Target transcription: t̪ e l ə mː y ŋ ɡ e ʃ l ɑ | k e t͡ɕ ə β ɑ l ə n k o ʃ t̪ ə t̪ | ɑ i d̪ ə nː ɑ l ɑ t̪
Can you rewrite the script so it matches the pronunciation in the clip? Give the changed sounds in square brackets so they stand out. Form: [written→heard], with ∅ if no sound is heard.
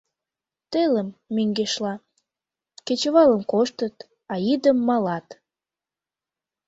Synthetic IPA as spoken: t̪ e l ə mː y ŋ ɡ e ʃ l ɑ | k e t͡ɕ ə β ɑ l ə [n→m] k o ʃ t̪ ə t̪ | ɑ i d̪ ə [nː→mː] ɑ l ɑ t̪